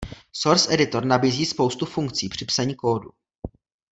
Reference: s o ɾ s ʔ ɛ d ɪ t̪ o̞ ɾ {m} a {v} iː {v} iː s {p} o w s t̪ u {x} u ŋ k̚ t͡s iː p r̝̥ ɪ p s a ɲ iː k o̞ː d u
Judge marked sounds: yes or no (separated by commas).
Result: no, no, no, yes, no